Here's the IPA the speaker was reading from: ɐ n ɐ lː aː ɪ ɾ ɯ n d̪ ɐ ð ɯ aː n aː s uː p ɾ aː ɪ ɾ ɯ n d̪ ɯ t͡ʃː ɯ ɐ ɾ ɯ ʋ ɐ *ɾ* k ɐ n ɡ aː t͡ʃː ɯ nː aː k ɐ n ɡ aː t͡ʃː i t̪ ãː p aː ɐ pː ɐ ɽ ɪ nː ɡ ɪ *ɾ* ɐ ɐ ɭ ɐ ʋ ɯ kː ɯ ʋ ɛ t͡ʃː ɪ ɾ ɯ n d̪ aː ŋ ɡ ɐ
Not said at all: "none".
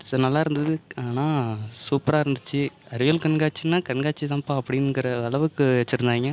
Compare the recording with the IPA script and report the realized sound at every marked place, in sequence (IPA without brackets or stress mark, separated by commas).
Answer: l, ɾ